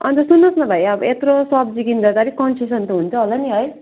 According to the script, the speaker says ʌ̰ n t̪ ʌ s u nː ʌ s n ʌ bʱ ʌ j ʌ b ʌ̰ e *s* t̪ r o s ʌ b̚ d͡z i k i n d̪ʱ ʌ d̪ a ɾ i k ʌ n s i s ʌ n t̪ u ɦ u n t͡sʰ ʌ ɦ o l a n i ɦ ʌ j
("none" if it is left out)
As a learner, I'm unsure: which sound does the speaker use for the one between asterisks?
none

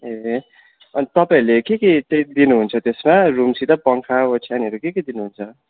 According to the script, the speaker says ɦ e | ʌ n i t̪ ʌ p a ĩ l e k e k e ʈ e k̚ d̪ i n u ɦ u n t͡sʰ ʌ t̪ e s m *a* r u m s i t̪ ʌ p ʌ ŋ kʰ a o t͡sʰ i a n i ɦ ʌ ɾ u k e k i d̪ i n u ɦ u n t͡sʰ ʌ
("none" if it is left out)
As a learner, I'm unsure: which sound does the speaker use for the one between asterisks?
a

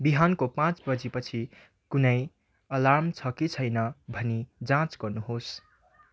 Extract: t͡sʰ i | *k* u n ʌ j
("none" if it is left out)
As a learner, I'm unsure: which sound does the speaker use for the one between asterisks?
k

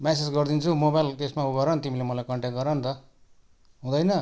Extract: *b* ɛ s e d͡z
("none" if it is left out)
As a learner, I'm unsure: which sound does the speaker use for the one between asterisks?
m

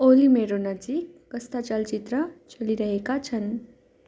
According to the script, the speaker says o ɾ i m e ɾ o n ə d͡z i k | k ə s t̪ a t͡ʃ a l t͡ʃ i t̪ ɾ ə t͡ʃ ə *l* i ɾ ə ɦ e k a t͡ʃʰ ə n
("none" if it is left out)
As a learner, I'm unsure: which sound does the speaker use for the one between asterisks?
l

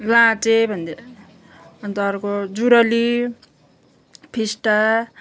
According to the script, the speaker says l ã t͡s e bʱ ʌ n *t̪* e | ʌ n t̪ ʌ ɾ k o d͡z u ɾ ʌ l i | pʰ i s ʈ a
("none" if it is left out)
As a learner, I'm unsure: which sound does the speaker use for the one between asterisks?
d̪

